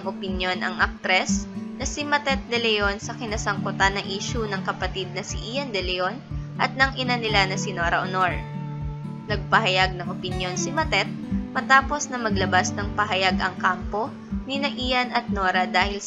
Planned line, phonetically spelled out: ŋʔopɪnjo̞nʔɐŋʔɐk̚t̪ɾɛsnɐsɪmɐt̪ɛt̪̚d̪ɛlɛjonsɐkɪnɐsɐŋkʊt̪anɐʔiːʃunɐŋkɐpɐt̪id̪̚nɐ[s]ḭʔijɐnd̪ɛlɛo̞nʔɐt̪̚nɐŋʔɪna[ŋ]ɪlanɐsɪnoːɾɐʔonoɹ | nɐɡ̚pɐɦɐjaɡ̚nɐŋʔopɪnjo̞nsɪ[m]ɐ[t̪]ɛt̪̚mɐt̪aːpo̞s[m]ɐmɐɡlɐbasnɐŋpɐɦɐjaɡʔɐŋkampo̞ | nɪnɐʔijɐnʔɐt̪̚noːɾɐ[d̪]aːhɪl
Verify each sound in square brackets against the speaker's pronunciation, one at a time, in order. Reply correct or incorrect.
correct, incorrect, correct, correct, incorrect, correct

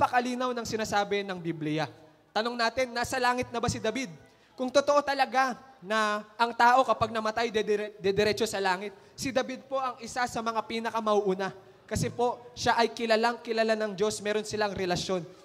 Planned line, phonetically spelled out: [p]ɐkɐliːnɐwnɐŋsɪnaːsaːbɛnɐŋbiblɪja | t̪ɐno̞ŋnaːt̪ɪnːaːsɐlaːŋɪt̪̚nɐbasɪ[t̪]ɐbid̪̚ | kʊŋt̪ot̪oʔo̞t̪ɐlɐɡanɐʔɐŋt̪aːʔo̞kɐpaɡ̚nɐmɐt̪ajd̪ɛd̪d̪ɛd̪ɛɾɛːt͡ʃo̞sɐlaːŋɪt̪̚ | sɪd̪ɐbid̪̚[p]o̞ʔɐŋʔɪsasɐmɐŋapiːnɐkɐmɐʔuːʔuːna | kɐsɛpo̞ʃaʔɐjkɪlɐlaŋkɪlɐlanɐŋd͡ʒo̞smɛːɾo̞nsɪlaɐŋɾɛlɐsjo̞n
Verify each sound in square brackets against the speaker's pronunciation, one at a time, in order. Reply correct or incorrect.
correct, incorrect, correct

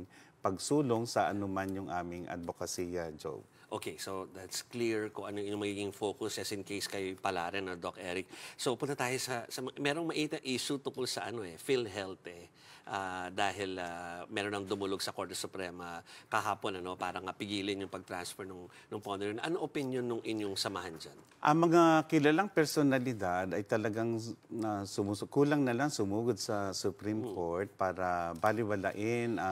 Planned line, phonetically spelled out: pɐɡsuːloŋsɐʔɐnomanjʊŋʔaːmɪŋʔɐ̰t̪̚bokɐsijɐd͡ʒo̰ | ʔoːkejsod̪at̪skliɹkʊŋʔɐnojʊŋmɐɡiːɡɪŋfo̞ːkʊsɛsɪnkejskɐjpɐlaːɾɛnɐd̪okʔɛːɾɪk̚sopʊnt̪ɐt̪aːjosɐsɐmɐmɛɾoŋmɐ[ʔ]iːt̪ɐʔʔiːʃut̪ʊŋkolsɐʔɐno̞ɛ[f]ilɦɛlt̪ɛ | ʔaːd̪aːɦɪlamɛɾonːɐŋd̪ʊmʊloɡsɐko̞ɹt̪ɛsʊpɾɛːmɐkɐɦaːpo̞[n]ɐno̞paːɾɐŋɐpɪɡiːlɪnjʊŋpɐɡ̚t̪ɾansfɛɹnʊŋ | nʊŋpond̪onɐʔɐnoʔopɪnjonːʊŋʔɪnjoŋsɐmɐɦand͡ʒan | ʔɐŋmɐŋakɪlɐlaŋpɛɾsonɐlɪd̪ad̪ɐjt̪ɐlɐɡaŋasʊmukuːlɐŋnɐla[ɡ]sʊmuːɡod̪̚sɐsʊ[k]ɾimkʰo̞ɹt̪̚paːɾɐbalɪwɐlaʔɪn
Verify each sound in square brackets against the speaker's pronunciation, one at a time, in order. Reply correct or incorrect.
correct, correct, correct, incorrect, incorrect

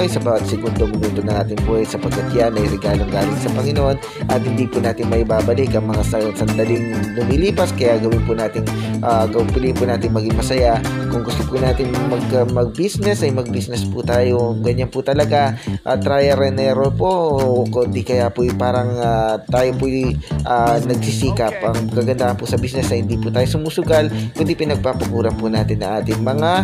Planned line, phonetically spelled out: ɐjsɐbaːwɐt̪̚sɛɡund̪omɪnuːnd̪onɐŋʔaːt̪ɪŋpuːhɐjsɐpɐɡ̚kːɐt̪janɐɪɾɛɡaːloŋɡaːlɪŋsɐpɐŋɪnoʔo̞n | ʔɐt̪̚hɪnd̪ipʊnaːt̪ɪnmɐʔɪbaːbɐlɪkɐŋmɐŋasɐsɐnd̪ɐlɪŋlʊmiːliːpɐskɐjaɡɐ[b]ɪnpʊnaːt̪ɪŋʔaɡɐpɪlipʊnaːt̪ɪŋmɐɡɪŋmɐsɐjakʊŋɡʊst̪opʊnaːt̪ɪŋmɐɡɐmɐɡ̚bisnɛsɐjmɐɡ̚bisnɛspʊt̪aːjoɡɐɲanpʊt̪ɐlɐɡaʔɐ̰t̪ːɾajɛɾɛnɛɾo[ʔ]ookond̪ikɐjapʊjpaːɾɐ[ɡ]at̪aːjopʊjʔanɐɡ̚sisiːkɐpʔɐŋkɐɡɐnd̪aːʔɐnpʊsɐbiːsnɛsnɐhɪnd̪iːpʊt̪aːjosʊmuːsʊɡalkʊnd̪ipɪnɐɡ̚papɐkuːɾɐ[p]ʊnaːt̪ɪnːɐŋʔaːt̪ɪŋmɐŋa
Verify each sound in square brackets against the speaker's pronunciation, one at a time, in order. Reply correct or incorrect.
incorrect, incorrect, incorrect, correct

